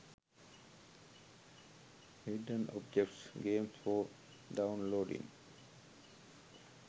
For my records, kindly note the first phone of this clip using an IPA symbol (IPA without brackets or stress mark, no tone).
h